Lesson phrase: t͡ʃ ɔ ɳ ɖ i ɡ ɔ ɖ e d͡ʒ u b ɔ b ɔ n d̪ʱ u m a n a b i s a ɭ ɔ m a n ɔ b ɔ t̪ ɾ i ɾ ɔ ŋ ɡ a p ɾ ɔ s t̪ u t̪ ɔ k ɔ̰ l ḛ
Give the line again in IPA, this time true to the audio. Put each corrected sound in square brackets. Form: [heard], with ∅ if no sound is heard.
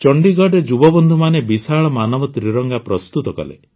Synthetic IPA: t͡ʃ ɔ ɳ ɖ i ɡ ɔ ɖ e d͡ʒ u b ɔ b ɔ n d̪ʱ u m a n [e] b i s a ɭ ɔ m a n ɔ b ɔ t̪ ɾ i ɾ ɔ ŋ ɡ a p ɾ ɔ s t̪ u t̪ ɔ k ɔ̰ l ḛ